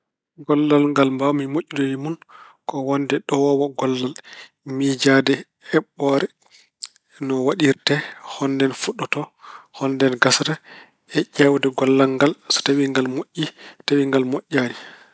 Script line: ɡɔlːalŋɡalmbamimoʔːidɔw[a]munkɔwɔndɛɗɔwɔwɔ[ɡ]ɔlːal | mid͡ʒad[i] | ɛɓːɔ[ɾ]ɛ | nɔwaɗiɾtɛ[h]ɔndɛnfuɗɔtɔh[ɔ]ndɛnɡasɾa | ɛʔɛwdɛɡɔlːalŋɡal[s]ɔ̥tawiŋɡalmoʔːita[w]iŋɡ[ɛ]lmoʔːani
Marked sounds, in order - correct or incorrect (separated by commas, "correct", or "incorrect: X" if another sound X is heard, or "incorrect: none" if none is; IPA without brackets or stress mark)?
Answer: incorrect: i, correct, incorrect: ɛ, correct, correct, correct, correct, correct, incorrect: a